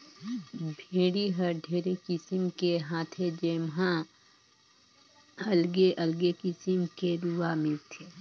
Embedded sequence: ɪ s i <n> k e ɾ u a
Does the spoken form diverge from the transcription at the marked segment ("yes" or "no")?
yes